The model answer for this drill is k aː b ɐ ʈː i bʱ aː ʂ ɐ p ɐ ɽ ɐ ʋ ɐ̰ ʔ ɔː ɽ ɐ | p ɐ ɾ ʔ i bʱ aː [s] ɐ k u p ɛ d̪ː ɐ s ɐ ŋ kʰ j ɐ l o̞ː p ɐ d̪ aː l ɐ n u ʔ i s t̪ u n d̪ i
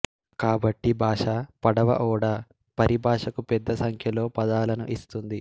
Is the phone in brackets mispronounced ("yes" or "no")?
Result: yes